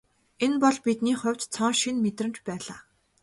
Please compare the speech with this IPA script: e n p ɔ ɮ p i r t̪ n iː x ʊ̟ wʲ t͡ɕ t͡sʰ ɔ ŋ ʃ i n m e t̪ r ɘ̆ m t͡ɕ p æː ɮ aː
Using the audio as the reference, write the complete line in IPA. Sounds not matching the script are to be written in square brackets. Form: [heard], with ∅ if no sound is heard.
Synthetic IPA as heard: e n p ɔ ɮ p i [∅] t̪ n iː [χ] ʊ̟ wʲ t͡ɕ t͡sʰ ɔ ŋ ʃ i n m e t̪ r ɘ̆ m t͡ɕ p æː ɮ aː